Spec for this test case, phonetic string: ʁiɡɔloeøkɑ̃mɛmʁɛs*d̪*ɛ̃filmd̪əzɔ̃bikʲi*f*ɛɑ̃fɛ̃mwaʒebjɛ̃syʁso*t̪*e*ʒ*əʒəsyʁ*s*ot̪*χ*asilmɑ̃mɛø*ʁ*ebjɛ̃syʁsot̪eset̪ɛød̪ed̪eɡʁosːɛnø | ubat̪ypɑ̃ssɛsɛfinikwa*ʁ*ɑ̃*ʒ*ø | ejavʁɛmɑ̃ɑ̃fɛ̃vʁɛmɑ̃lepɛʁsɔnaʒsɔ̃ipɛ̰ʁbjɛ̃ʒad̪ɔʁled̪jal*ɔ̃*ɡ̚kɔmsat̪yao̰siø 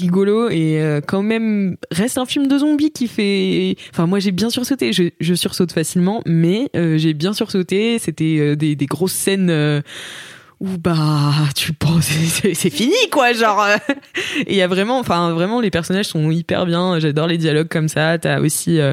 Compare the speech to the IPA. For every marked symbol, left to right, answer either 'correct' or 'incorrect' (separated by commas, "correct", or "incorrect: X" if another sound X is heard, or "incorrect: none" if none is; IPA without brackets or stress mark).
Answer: incorrect: t̪, correct, correct, correct, correct, incorrect: f, incorrect: ʒ, incorrect: ʒ, incorrect: ʁ, incorrect: ɔ